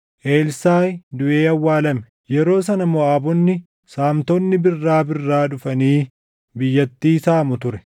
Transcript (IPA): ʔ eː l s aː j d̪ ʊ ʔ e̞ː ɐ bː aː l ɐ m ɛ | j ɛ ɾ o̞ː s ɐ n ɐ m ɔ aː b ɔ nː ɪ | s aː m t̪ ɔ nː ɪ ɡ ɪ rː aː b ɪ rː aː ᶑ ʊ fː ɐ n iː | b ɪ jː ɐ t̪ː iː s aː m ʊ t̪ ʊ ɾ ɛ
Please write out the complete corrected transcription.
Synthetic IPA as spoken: ʔ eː l s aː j d̪ ʊ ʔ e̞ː ɐ wː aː l ɐ m ɛ | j ɛ ɾ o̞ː s ɐ n ɐ m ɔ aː b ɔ nː ɪ | s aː m t̪ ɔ nː ɪ b ɪ rː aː b ɪ rː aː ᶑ ʊ f ɐ n iː | b ɪ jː ɐ t̪ː iː s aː m ʊ t̪ ʊ ɾ ɛ